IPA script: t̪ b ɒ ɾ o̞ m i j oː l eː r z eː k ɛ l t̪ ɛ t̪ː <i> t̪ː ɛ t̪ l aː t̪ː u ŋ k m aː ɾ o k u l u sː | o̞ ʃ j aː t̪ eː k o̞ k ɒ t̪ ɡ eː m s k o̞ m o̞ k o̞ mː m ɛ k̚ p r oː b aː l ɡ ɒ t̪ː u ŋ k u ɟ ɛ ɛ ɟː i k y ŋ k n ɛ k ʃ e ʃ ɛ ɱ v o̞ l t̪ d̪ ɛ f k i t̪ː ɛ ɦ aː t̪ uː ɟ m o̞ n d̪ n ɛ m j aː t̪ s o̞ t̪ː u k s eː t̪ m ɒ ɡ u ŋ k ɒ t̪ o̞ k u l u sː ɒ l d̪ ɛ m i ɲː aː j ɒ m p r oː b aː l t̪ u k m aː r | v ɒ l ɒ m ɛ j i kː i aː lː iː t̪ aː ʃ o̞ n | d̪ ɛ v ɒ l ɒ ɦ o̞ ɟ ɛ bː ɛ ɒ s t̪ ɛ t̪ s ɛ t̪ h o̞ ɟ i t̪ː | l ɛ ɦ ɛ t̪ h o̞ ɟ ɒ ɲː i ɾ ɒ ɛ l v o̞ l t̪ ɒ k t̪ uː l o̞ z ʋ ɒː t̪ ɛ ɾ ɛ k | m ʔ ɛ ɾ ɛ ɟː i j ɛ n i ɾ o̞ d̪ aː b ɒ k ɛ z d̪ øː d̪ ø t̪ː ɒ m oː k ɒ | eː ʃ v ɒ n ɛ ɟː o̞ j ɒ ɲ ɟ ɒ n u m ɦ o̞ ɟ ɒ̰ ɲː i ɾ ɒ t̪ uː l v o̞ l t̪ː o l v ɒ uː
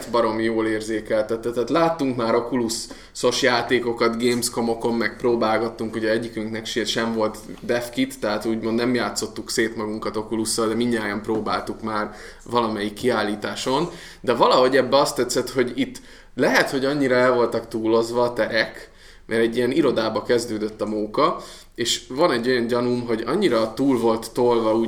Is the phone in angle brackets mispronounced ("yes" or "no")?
yes